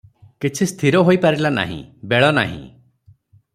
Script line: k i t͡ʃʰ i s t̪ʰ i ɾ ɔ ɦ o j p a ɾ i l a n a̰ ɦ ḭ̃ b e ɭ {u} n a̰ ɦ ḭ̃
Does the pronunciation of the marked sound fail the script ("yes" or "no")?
yes